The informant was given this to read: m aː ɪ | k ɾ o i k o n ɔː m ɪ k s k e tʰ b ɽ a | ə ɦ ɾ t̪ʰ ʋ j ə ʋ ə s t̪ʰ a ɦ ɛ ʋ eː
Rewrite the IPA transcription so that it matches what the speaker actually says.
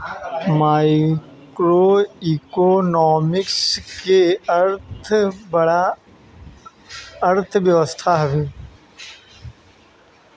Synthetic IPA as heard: m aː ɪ | k ɾ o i k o n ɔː m ɪ k s k e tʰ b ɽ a | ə ɾ t̪ʰ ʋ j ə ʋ ə s t̪ʰ a ɦ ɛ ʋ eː

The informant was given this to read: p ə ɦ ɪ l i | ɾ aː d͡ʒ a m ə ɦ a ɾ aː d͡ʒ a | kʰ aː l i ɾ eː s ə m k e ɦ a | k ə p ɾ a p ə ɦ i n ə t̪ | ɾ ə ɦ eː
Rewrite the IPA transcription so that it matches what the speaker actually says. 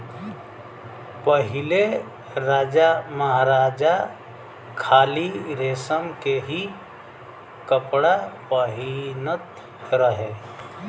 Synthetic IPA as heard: p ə ɦ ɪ l e | ɾ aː d͡ʒ a m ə ɦ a ɾ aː d͡ʒ a | kʰ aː l i ɾ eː s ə m k e ɦ i | k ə p ɽ a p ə ɦ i n ə t̪ | ɾ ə ɦ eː

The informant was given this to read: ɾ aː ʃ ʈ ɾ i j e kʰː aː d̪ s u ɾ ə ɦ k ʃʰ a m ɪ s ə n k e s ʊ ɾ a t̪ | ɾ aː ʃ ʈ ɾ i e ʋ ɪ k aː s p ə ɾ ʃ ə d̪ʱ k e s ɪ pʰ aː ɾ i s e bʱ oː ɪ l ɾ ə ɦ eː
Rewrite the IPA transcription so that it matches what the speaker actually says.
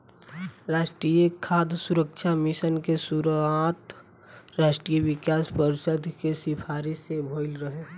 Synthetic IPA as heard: ɾ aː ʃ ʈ ɾ i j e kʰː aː d̪ s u ɾ ə k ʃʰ a m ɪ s ə n k e s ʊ ɾ a t̪ | ɾ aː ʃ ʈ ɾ i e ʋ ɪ k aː s p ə ɾ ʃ ə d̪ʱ k e s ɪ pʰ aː ɾ i s e bʱ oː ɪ l ɾ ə ɦ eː

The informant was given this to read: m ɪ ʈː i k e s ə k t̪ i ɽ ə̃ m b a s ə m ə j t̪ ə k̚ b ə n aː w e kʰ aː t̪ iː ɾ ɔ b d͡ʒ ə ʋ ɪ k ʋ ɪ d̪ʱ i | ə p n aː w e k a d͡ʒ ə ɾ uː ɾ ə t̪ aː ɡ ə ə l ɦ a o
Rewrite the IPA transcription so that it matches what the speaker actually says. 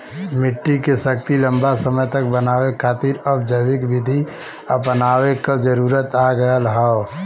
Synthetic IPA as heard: m ɪ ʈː i k e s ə k t̪ i l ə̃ m b a s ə m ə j t̪ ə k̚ b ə n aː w e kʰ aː t̪ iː ɾ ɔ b d͡ʒ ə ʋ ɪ k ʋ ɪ d̪ʱ i | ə p n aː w e k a d͡ʒ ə ɾ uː ɾ ə t̪ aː ɡ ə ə l ɦ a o

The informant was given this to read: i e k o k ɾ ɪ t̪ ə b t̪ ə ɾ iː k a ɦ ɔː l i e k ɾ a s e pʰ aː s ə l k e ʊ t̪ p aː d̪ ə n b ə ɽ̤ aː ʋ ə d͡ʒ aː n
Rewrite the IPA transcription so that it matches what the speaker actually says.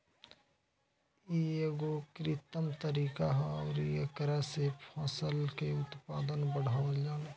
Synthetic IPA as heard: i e ɡ o k ɾ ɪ t̪ ə m t̪ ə ɾ iː k a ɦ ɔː ɾ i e k ɾ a s e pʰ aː s ə l k e ʊ t̪ p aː d̪ ə n b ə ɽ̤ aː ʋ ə d͡ʒ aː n

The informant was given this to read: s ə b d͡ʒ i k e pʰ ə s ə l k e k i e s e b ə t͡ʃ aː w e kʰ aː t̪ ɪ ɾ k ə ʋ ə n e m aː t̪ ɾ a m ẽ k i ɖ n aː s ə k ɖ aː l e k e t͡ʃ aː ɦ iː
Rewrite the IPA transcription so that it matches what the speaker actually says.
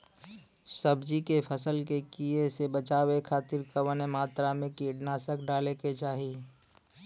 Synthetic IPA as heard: s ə b d͡ʒ i k e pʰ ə s ə l k e k i e s e b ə t͡ʃ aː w e kʰ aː t̪ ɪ ɾ k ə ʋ ə n e m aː t̪ ɾ a m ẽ k i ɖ n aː s ə k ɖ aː l e k e t͡ʃ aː ɦ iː

